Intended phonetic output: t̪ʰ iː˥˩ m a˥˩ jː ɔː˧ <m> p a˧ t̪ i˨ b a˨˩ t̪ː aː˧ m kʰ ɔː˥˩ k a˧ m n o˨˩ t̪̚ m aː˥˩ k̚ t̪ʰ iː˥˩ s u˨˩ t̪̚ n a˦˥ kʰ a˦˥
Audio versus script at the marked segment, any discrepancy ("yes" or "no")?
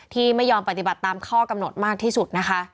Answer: no